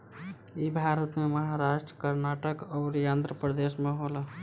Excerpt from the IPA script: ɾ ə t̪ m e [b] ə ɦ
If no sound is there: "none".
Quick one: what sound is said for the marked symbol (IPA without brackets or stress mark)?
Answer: m